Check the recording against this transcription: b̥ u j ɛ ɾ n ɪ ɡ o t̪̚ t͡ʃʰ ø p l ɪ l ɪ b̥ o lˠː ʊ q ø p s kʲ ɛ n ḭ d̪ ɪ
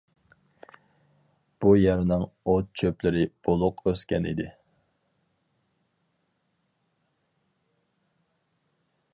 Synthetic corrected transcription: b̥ u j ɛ ɾ n ɪ ŋ o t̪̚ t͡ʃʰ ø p l ɪ ɾ ɪ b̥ o lˠ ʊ q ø s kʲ ɛ n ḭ d̪ ɪ

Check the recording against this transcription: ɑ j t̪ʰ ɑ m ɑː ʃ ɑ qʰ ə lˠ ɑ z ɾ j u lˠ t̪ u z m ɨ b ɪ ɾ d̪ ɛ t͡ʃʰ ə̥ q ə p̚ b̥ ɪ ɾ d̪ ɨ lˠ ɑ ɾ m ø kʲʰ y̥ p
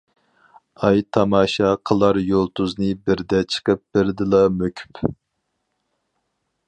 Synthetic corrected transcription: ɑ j t̪ʰ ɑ m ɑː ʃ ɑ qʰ ə lˠ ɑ ɾ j o lˠ t̪ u z n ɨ b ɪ ɾ d̪ ɛ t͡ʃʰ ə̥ q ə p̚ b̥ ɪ ɾ d̪ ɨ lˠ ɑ m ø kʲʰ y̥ p

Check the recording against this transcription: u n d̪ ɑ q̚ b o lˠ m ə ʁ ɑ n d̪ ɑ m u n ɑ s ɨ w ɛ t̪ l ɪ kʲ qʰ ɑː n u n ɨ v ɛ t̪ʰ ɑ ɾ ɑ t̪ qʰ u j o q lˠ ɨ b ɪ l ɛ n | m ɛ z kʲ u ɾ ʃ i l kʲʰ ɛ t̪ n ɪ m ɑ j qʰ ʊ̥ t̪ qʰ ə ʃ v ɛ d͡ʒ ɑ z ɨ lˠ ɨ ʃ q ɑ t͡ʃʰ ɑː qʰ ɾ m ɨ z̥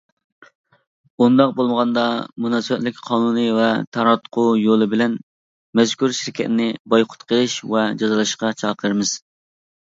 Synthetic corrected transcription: u n d̪ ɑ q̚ b o lˠ m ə ʁ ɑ n d̪ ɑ m u n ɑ s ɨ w ɛ t̪ l ɪ kʲ qʰ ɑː n u n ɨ v ɛ t̪ʰ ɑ ɾ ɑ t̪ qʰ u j o lˠ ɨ b ɪ l ɛ n | m ɛ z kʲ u ɾ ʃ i ɾ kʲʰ ɛ t̪ n ɪ b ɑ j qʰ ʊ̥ t̪ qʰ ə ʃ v ɛ d͡ʒ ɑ z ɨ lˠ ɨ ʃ q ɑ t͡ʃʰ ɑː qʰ ɾ m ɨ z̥

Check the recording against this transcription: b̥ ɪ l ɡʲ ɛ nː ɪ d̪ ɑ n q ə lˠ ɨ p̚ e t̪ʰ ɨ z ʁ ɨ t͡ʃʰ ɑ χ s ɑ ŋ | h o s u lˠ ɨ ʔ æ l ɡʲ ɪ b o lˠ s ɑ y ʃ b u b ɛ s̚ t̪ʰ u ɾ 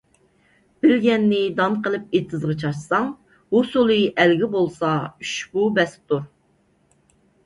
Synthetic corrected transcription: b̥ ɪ l ɡʲ ɛ nː ɪ d̪ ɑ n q ə lˠ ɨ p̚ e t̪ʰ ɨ z ʁ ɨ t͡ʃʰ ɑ ʃ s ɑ ŋ | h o s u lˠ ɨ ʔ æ l ɡʲ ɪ b o lˠ s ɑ y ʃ b u b ɛ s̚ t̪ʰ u ɾ

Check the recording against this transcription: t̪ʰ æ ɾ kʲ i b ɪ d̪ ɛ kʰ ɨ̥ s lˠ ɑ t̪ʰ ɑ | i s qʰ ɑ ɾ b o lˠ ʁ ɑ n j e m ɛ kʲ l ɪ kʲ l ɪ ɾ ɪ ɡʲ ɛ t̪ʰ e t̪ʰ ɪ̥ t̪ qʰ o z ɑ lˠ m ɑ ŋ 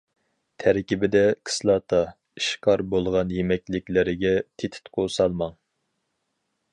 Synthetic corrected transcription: t̪ʰ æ ɾ kʲ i b ɪ d̪ ɛ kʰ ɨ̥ s lˠ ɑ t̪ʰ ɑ | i ʃ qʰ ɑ ɾ b o lˠ ʁ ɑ n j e m ɛ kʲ l ɪ kʲ l ɪ ɾ ɪ ɡʲ ɛ t̪ʰ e t̪ʰ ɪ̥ t̪ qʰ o s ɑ lˠ m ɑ ŋ

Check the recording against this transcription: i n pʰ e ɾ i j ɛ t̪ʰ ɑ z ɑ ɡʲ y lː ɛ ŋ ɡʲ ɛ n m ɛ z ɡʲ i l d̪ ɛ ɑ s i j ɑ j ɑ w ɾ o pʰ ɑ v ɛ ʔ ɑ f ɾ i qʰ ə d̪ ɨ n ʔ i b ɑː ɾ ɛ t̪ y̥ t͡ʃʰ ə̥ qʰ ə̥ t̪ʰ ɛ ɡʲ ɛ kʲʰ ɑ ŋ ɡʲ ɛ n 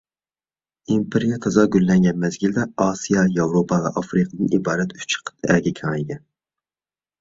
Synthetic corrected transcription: i m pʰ e ɾ i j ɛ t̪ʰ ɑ z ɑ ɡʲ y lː ɛ ŋ ɡʲ ɛ n m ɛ z ɡʲ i l d̪ ɛ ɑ s i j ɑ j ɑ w ɾ o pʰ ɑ v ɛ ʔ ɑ f ɾ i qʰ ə d̪ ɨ n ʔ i b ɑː ɾ ɛ t̪ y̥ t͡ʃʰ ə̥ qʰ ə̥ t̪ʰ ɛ ɡʲ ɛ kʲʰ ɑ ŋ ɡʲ ɛ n

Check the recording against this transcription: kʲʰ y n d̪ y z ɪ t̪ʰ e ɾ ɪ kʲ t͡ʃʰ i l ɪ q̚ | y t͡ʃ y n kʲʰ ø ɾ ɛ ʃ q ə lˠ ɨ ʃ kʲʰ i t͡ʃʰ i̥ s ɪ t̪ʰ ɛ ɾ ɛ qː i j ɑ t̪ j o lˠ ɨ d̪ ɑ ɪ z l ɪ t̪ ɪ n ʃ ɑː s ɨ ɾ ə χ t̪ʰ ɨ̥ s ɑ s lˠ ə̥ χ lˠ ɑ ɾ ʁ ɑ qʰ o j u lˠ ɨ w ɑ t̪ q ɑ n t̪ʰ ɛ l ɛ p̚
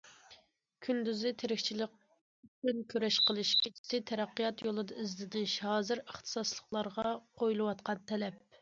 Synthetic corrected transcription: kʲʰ y n d̪ y z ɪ t̪ʰ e ɾ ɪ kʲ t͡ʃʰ i l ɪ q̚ | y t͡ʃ y n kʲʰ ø ɾ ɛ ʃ q ə lˠ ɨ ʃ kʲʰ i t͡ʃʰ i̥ s ɪ t̪ʰ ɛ ɾ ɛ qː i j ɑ t̪ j o lˠ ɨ d̪ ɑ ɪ z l ɪ d̪ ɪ n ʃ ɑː z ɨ ɾ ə χ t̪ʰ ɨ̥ s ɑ s lˠ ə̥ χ lˠ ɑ ɾ ʁ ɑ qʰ o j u lˠ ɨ w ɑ t̪ q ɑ n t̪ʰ ɛ l ɛ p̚

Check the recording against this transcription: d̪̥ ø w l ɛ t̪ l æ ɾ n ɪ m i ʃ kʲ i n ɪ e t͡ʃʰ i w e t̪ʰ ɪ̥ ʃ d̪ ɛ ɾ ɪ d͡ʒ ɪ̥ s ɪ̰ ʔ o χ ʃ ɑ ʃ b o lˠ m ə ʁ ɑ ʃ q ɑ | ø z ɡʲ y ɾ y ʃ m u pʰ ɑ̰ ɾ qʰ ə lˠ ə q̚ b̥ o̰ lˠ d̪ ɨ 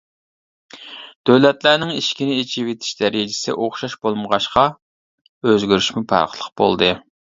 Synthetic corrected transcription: d̪̥ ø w l ɛ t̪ l æ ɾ n ɪ ŋ i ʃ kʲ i n ɪ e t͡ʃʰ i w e t̪ʰ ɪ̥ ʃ d̪ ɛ ɾ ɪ d͡ʒ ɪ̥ s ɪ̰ ʔ o χ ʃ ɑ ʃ b o lˠ m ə ʁ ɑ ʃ q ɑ | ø z ɡʲ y ɾ y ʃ m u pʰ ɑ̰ ɾ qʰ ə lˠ ə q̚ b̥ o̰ lˠ d̪ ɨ

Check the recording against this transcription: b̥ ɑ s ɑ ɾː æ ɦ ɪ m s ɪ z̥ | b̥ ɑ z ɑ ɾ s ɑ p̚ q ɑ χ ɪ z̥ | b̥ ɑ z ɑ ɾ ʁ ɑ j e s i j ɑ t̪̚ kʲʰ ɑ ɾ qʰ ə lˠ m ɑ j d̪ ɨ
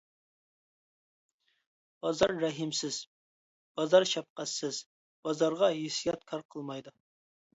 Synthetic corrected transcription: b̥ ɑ z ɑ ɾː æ ɦ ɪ m s ɪ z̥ | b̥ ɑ z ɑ ɾ ʃ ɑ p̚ q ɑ s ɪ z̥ | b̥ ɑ z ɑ ɾ ʁ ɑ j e s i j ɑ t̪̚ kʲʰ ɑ ɾ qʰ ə lˠ m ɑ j d̪ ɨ

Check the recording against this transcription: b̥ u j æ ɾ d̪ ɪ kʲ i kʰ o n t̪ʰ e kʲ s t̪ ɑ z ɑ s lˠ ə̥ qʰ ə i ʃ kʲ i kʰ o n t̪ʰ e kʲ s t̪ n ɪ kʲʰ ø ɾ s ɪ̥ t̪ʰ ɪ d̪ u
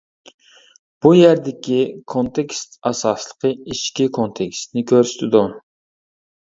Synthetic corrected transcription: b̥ u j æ ɾ d̪ ɪ kʲ i kʰ o n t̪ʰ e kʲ s t̪ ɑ s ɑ s lˠ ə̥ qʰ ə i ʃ kʲ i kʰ o n t̪ʰ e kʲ s t̪ n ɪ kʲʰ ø ɾ s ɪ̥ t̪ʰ ɪ d̪ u

